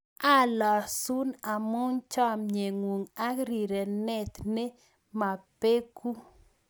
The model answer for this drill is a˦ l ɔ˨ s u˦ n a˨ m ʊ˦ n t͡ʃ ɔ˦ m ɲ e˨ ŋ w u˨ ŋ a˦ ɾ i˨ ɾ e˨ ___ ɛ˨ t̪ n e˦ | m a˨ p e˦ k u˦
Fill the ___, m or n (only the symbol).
n